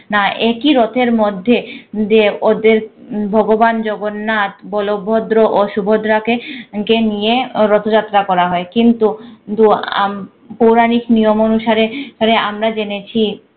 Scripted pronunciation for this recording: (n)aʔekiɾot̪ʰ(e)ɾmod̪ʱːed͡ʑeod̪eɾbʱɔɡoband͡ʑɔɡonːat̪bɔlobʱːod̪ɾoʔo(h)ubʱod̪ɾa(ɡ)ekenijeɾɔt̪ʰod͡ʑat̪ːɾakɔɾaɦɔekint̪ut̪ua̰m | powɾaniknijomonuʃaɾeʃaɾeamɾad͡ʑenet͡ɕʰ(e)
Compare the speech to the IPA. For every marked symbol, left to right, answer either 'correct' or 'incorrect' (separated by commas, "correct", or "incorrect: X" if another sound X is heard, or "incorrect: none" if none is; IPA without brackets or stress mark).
correct, correct, incorrect: ʃ, incorrect: k, incorrect: i